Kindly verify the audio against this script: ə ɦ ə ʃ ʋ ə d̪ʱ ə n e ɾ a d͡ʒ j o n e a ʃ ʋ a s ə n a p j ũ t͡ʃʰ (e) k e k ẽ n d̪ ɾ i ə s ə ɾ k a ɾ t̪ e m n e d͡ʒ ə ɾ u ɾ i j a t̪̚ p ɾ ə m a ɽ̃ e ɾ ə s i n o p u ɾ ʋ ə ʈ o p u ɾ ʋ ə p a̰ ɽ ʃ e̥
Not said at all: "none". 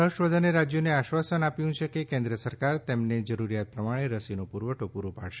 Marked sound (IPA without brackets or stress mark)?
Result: e